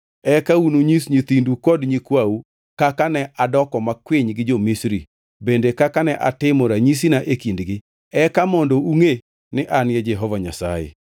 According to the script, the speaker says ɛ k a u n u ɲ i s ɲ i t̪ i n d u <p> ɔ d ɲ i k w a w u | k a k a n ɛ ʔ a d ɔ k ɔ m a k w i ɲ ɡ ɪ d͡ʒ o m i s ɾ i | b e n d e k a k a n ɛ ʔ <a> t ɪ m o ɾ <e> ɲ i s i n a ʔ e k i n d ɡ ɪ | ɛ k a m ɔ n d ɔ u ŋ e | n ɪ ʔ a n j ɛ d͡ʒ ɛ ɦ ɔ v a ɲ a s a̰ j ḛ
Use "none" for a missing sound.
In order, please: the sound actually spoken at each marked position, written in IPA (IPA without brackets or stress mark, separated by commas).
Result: k, a, a